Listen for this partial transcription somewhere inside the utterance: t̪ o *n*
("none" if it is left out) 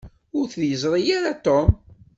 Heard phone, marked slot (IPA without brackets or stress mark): m